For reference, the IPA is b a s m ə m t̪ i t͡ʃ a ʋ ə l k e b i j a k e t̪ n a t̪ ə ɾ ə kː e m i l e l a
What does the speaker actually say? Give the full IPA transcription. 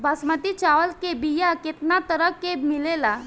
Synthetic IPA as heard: b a s m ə t̪ i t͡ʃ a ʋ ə l k e b i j a k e t̪ n a t̪ ə ɾ ə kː e m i l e l a